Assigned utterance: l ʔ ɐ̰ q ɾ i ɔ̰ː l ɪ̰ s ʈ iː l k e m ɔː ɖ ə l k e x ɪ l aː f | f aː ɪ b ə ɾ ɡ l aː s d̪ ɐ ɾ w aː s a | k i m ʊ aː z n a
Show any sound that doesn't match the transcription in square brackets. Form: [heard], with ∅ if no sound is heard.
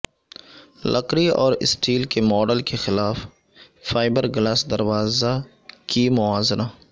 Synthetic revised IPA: l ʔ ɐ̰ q ɾ i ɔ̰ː [ɾ] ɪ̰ s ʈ iː l k e m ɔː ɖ ə l k e x ɪ l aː f | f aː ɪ b ə ɾ ɡ l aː s d̪ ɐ ɾ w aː [z] a | k i m ʊ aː z n a